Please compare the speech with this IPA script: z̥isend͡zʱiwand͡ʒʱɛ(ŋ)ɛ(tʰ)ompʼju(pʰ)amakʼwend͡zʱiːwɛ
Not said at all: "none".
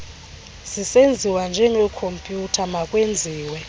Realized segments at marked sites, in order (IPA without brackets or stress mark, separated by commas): ŋ, kʰ, tʰ